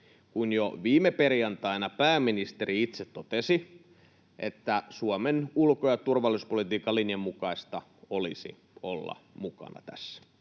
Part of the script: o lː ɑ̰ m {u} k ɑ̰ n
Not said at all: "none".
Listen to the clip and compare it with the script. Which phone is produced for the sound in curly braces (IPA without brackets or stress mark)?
u